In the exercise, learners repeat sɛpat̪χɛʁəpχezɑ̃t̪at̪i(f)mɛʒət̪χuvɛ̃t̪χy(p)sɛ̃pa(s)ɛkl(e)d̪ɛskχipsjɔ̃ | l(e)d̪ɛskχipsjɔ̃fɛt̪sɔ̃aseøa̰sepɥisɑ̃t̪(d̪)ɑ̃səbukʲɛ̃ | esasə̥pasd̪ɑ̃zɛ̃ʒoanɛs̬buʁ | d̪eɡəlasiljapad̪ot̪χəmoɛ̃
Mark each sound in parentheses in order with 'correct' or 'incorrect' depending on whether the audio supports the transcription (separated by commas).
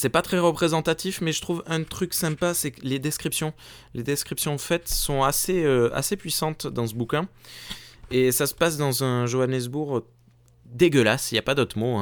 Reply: correct, incorrect, correct, correct, correct, correct